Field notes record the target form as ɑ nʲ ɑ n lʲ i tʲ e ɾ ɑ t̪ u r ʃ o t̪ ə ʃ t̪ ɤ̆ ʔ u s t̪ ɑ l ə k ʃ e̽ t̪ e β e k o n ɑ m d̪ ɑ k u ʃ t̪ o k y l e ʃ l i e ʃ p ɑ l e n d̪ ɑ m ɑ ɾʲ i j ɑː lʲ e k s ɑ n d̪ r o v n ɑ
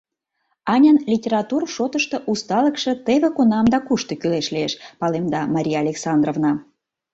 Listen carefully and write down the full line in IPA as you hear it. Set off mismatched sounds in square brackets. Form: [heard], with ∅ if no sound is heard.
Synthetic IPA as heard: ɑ nʲ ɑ n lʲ i tʲ e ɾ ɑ t̪ u r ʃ o t̪ ə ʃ t̪ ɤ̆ ʔ u s t̪ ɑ l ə k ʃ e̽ t̪ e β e k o n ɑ m d̪ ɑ k u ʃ t̪ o k y l e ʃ l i e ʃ p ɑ l e [m] d̪ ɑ m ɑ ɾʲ i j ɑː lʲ e k s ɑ n d̪ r o v n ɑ

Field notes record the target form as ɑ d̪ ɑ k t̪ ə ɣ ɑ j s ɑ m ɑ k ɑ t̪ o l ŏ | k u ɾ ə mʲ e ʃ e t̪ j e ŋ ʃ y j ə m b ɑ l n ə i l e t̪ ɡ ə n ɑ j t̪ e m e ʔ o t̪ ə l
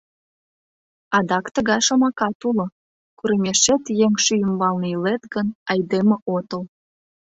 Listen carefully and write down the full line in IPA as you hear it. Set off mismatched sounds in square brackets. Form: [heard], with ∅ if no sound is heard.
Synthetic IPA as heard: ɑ d̪ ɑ k t̪ ə ɣ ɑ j [ʃ] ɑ m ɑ k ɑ t̪ [u] l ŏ | k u ɾ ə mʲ e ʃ e t̪ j e ŋ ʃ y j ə m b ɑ l n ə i l e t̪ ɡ ə n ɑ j [d̪] e m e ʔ o t̪ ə l

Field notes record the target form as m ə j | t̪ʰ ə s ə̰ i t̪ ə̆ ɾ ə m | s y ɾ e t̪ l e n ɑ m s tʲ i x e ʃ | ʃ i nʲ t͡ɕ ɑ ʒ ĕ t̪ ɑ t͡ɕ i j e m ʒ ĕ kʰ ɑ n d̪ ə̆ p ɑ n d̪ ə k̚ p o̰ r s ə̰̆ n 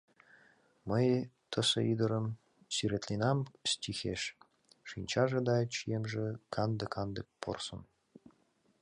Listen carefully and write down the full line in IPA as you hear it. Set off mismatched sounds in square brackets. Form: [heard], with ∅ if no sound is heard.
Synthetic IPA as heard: m ə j | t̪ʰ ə s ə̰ i [d̪] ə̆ ɾ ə m | s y ɾ e t̪ l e n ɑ m s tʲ i x e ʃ | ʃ i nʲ t͡ɕ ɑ ʒ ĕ [d̪] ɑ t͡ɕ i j e m ʒ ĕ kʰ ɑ n d̪ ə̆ [k] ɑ n d̪ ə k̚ p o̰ r s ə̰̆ n

